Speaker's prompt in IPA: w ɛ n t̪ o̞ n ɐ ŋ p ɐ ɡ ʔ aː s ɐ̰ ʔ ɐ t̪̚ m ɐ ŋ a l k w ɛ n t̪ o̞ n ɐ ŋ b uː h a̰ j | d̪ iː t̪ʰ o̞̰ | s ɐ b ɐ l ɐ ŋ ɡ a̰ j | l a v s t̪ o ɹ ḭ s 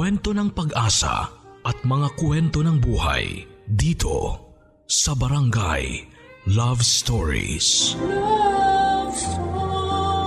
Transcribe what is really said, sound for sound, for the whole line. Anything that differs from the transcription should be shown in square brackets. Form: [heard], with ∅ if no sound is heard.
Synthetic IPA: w ɛ n t̪ o̞ n ɐ ŋ p ɐ ɡ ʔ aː s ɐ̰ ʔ ɐ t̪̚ m ɐ ŋ a [∅] k w ɛ n t̪ o̞ n ɐ ŋ b uː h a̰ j | d̪ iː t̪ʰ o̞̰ | s ɐ b ɐ [ɾ] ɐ ŋ ɡ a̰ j | l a v s t̪ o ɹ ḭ s